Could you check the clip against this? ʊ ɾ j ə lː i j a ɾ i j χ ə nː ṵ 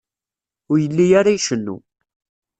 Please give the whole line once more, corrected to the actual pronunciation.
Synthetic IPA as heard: ʊ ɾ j ə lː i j a ɾ a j ʃ ə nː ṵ